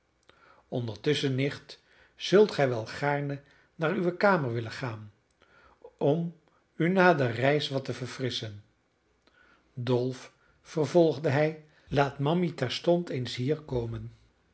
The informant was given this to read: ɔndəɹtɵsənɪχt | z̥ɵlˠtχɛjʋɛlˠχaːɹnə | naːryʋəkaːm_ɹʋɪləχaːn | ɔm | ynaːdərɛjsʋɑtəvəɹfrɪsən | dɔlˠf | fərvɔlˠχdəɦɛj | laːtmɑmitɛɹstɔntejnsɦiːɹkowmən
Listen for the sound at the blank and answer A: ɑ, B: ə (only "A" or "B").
B